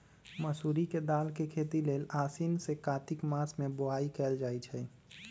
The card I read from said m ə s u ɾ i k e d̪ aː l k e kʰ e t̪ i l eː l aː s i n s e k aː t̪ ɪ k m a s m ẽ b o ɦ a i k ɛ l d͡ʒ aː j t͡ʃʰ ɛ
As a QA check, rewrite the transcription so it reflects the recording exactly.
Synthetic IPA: m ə s u ɾ i k e d̪ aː l k e kʰ e t̪ i l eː l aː s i n s e k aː t̪ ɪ k m a s m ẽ b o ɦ a i k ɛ l d͡ʒ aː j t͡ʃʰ ɛ